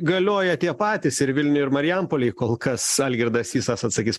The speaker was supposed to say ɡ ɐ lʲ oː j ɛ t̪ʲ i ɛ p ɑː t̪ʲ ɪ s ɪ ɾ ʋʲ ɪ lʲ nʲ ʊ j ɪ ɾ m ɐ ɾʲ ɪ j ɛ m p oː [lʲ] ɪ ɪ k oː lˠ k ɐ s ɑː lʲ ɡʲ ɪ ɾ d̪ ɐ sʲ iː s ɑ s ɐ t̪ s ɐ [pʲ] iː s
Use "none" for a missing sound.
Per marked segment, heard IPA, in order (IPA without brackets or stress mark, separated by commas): lʲ, kʲ